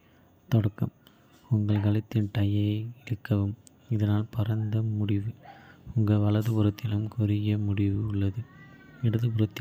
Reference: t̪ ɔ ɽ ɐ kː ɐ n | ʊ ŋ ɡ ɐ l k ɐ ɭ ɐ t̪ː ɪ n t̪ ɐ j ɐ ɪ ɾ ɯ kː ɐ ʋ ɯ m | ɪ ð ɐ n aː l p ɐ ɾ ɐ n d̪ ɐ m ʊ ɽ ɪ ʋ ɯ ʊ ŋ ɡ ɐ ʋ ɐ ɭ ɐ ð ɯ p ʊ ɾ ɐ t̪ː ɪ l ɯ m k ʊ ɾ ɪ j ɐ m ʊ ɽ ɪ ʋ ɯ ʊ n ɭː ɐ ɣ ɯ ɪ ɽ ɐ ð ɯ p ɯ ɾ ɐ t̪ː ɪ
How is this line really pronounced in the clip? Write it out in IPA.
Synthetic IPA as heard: t̪ ɔ ɽ ɐ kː ɐ m | ʊ ŋ ɡ ɐ ɭ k ɐ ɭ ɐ t̪ː ɪ n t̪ ɐ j ɐ ɪ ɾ ɯ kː ɐ ʋ ɯ m | ɪ ð ɐ n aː l p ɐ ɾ ɐ n d̪ ɐ m ʊ ɽ ɪ ʋ ɯ ʊ ŋ ɡ ɐ ʋ ɐ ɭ ɐ ð ɯ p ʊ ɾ ɐ t̪ː ɪ l ɯ m k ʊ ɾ ɪ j ɐ m ʊ ɽ ɪ ʋ ɯ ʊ ɭː ɐ ð ɯ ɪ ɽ ɐ ð ɯ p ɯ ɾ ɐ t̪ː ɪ